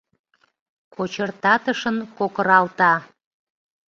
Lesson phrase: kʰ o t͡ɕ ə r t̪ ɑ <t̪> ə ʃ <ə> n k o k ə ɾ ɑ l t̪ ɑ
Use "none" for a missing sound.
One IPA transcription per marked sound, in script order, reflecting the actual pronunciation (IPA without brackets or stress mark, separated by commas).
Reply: t̪, ə